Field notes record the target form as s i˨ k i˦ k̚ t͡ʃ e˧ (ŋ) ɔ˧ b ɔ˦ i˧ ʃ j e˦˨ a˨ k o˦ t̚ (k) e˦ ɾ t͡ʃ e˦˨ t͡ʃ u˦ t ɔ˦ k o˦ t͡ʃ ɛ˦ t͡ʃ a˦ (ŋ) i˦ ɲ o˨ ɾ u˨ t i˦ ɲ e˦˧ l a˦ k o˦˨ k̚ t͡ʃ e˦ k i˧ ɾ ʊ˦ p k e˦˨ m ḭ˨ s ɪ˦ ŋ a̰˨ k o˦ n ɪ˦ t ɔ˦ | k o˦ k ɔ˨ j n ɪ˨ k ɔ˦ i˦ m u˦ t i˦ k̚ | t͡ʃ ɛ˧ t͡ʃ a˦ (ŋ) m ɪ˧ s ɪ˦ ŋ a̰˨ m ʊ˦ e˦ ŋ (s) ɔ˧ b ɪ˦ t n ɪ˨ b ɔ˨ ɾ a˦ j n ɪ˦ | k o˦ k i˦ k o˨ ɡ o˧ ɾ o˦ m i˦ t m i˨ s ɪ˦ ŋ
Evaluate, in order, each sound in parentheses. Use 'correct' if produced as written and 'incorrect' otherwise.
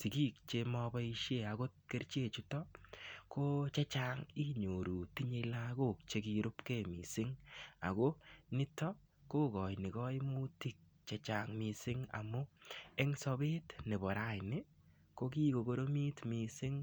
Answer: incorrect, correct, correct, correct, correct

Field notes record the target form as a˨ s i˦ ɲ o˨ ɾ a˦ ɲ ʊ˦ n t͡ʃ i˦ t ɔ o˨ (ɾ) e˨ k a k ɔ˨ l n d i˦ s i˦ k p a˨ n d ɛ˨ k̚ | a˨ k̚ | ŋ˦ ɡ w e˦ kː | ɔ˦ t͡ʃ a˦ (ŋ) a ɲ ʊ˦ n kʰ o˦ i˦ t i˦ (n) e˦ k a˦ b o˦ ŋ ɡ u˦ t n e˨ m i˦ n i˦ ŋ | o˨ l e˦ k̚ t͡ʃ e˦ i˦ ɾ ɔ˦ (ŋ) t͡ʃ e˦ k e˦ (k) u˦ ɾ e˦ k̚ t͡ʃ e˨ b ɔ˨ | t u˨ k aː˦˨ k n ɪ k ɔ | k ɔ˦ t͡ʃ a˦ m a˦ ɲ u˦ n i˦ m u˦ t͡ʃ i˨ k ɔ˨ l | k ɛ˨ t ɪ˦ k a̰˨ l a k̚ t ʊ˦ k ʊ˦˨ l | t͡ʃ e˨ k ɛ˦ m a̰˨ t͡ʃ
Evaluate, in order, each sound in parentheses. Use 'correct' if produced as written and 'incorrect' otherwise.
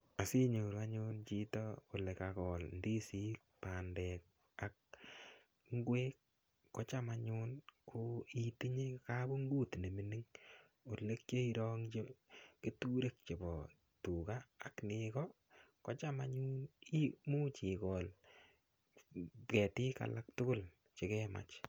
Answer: incorrect, incorrect, incorrect, correct, incorrect

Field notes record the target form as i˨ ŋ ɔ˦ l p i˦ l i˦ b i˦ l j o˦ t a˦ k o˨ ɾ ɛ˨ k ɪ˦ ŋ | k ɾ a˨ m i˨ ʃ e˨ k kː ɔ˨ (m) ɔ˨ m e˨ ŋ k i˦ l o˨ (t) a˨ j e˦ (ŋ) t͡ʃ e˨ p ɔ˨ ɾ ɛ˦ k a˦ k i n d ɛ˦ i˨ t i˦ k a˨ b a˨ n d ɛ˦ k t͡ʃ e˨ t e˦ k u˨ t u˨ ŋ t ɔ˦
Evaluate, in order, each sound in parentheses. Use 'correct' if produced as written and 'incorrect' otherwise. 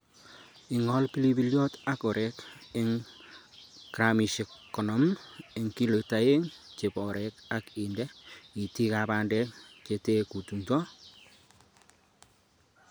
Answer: incorrect, correct, correct

